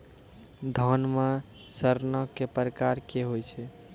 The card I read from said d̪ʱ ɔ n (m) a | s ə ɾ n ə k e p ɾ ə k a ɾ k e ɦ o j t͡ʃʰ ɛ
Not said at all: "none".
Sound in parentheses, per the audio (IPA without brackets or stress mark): m